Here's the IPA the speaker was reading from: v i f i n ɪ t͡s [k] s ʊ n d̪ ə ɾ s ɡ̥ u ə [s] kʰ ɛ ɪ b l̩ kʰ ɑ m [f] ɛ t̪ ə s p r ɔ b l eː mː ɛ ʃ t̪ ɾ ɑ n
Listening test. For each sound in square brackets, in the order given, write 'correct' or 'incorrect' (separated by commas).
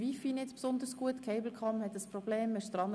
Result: incorrect, incorrect, incorrect